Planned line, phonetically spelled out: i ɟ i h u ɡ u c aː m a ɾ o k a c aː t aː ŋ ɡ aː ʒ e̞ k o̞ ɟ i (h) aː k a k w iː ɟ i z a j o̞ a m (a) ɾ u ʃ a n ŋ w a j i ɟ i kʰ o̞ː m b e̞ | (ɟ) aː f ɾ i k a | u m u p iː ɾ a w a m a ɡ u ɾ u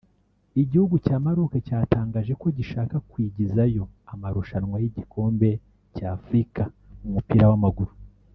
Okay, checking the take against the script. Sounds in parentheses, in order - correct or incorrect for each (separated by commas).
incorrect, correct, incorrect